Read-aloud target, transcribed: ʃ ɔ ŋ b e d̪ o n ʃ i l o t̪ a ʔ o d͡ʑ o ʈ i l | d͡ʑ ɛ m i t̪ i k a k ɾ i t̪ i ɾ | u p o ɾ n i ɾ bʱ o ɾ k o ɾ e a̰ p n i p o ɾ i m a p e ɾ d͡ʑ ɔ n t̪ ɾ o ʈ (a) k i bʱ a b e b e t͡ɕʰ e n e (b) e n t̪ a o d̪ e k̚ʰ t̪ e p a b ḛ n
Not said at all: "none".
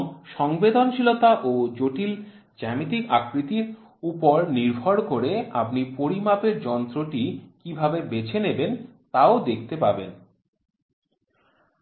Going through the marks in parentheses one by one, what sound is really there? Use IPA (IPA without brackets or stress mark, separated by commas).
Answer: i, b